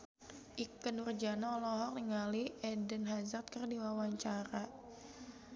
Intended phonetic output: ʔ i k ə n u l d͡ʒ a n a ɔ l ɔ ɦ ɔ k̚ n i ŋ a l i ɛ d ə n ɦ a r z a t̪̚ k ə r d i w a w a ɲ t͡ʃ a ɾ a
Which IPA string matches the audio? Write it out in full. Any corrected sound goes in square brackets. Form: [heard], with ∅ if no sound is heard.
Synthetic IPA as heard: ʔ i k ə n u [r] d͡ʒ a n a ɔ l ɔ ɦ ɔ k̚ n i ŋ a l i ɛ d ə n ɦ a [∅] z a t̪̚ k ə r d i w a w a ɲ t͡ʃ a ɾ a